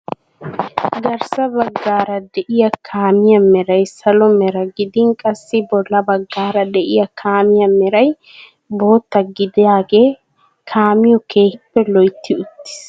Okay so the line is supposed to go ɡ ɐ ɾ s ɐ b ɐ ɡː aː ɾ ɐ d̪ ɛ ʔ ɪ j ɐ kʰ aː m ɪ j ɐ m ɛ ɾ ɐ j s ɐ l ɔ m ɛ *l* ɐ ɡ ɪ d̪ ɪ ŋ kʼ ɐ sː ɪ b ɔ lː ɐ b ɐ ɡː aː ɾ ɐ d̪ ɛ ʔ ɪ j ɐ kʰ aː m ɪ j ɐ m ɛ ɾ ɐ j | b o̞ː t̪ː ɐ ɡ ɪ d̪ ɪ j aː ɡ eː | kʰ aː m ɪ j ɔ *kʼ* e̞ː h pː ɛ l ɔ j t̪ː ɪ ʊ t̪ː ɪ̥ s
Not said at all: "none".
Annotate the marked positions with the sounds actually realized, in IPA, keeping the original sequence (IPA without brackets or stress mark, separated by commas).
ɾ, k